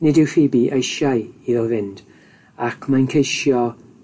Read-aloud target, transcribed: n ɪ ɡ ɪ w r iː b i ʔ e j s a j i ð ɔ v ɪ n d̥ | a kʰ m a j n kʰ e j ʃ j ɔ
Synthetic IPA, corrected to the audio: n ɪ d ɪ w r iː b i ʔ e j ʃ a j i ð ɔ v ɪ n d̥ | a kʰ m a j n kʰ e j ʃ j ɔ